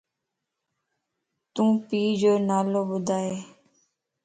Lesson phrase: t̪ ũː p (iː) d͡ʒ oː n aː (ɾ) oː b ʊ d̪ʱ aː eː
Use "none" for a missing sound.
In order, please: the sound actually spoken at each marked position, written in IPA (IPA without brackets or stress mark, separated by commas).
iː, l